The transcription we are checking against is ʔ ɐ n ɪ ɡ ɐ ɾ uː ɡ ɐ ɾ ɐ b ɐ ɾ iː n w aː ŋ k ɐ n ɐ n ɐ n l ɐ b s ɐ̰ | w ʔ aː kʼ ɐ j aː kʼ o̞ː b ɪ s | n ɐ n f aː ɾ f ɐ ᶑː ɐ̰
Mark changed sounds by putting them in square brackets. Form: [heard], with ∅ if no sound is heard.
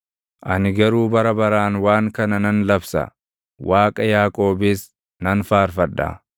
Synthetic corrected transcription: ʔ ɐ n ɪ ɡ ɐ ɾ uː [b] ɐ ɾ ɐ b ɐ ɾ [aː] n w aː ŋ k ɐ n ɐ n ɐ n l ɐ b s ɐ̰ | w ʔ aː kʼ ɐ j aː kʼ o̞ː b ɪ s | n ɐ n f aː ɾ f ɐ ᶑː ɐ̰